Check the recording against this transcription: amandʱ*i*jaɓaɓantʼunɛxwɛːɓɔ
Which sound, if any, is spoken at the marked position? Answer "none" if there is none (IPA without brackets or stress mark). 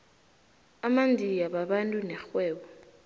i